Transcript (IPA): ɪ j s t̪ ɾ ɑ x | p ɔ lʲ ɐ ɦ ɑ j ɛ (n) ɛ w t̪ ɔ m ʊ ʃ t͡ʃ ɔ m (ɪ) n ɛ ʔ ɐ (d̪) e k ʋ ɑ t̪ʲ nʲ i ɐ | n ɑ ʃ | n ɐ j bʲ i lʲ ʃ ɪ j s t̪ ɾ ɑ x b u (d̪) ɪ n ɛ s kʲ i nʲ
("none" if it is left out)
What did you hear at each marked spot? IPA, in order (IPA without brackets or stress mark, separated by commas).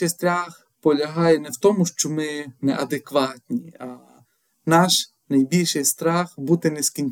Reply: n, ɪ, d̪, t̪